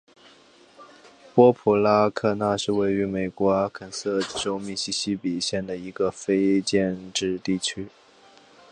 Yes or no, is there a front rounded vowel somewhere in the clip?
yes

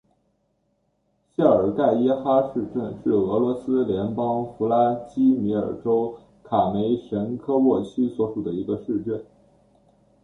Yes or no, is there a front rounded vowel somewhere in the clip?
yes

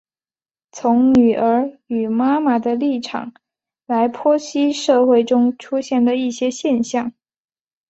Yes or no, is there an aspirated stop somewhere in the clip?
yes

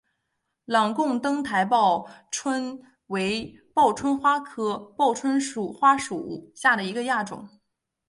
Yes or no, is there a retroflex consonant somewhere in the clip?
yes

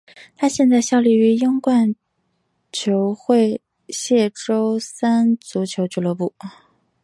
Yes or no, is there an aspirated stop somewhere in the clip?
yes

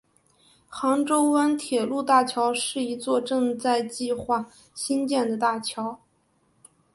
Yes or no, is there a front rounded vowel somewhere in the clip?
no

